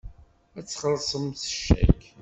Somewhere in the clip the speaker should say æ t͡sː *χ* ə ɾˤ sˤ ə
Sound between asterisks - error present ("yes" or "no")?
no